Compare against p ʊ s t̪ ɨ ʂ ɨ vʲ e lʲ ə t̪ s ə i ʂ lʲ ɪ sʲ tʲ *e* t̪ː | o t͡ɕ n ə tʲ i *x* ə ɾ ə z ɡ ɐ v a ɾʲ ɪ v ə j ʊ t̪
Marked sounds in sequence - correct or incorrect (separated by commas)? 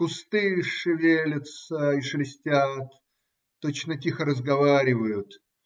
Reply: incorrect, correct